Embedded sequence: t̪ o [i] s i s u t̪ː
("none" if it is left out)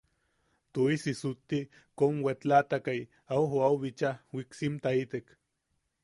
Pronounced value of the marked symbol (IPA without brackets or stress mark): i